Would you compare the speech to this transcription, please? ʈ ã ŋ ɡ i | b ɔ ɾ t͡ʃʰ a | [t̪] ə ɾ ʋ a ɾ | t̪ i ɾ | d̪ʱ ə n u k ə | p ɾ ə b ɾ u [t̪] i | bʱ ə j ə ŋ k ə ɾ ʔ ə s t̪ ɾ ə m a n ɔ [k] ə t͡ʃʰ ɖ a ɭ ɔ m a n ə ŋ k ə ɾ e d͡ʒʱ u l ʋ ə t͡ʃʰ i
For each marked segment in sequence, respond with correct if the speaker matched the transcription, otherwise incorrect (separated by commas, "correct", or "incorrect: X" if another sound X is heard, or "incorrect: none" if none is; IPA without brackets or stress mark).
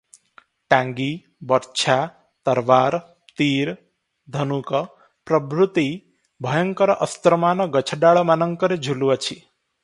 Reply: correct, correct, incorrect: ɡ